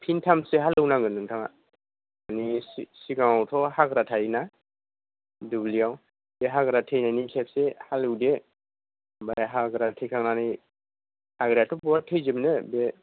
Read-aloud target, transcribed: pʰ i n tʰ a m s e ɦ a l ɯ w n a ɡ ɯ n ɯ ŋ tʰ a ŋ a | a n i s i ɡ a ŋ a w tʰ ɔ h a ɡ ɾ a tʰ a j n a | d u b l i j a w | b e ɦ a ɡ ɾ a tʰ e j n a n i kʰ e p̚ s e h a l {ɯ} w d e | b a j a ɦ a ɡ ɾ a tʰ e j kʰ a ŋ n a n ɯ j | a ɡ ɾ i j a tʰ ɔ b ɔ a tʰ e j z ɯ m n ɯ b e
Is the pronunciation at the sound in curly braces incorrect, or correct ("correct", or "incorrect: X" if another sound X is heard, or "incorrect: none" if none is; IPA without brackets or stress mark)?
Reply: correct